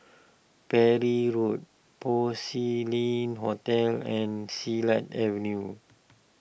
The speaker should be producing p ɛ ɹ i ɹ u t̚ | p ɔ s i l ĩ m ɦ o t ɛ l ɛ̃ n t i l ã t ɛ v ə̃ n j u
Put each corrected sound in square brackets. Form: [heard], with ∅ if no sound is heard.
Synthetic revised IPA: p ɛ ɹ i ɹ u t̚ | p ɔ s i l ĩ [n] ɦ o t ɛ l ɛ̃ n [s] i l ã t ɛ v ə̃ n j u